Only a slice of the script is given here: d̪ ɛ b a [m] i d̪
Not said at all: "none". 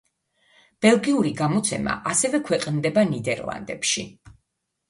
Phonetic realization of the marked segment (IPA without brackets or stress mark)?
n